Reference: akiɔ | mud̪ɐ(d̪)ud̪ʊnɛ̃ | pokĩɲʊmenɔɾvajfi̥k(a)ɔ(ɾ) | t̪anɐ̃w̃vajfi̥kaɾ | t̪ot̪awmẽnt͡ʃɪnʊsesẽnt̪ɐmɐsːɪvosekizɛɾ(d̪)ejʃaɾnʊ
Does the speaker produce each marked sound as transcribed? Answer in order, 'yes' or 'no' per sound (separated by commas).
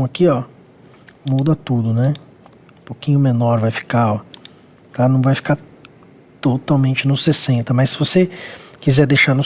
no, yes, no, yes